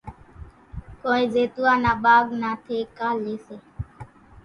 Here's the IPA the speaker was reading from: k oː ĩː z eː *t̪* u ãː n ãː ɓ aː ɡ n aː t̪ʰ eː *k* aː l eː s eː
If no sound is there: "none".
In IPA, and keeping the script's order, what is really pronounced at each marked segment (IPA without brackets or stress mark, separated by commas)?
t̪, k